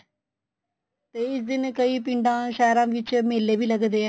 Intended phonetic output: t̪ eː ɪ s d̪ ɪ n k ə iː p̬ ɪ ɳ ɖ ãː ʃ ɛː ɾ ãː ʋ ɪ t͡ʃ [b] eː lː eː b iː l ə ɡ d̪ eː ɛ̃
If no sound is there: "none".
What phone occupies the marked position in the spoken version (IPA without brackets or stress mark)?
m